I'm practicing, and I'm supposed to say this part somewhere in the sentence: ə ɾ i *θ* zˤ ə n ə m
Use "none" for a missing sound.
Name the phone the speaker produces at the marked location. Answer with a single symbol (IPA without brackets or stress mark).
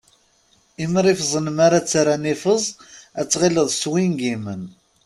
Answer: f